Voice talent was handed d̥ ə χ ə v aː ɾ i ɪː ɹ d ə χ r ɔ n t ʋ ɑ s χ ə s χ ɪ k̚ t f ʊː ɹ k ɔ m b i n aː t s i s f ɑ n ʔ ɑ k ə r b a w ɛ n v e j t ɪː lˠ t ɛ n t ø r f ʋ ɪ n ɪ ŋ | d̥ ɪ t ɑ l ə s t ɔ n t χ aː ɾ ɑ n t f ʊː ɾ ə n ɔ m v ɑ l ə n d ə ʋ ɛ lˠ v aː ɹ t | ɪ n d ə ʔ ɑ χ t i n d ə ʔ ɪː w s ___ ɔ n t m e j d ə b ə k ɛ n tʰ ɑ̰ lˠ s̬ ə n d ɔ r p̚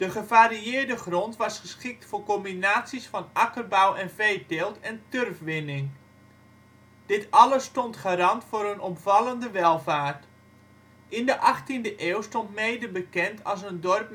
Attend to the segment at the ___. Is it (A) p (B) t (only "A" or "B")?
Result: B